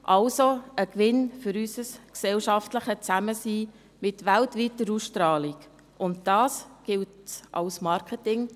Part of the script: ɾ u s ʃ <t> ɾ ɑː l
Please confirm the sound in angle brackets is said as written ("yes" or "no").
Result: yes